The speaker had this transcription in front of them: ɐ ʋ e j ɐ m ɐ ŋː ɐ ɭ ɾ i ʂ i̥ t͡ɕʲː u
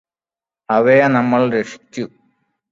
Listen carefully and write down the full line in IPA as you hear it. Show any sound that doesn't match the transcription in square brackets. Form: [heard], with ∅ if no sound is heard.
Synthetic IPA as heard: ɐ ʋ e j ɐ [n] ɐ [mː] ɐ ɭ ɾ [e] ʂ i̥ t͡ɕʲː u